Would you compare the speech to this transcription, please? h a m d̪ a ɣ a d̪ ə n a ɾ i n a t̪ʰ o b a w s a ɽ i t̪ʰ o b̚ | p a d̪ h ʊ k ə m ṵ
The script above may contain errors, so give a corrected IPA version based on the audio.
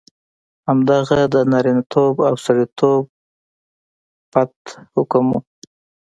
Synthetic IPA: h a m d̪ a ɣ a d̪ ə n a ɾ i n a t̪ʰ o b a w s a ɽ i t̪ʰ o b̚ | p a t̪ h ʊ k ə m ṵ